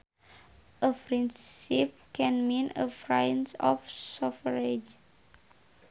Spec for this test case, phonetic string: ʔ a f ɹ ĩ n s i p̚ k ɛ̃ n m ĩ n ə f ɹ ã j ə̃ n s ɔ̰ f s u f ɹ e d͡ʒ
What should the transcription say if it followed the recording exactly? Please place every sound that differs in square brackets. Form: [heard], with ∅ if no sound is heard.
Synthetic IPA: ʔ [ə] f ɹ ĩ n s i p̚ k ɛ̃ n m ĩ n ə f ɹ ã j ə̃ n s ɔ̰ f s [ɔ] f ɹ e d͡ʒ